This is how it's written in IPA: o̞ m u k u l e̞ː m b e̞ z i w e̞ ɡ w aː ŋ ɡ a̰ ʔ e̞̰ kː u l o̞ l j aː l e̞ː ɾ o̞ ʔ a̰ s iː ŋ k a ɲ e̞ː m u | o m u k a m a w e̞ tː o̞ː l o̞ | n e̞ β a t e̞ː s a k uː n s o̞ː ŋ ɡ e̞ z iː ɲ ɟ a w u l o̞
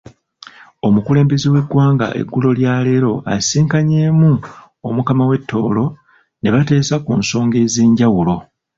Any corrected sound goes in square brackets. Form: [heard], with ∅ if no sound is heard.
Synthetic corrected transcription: o̞ m u k u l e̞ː m b e̞ z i w e̞ ɡ w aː ŋ ɡ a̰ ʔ e̞̰ [ɡː] u l o̞ l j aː l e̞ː ɾ o̞ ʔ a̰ s iː ŋ k a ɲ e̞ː m u | o m u k a m a w e̞ tː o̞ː l o̞ | n e̞ β a t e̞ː s a k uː n s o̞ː ŋ ɡ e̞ z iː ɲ ɟ a w u l o̞